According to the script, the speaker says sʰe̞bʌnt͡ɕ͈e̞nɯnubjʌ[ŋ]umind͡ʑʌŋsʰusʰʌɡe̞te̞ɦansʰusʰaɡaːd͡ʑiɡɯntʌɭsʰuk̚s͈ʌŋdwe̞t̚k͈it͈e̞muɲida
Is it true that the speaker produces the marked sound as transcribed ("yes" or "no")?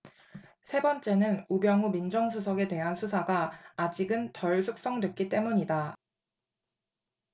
yes